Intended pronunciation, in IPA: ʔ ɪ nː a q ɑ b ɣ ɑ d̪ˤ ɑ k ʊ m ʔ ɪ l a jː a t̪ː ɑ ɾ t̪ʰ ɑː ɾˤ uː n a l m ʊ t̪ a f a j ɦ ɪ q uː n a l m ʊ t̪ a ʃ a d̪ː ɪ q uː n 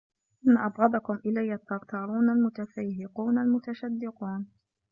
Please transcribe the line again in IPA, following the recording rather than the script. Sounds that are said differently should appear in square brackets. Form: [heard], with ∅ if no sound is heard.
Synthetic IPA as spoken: ʔ ɪ nː a [ʔ] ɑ b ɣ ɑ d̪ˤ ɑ k ʊ m ʔ ɪ l a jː a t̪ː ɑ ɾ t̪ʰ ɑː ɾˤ uː n a l m ʊ t̪ a f a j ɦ ɪ q uː n a l m ʊ t̪ a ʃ a d̪ː ɪ q uː n